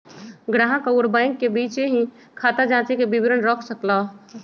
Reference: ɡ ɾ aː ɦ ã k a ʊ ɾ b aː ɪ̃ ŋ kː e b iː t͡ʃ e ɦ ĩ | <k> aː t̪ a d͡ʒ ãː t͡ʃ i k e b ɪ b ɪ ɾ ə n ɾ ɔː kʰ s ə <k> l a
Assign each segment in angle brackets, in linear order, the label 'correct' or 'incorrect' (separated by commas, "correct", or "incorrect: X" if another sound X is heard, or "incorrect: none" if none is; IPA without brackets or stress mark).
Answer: incorrect: kʰ, correct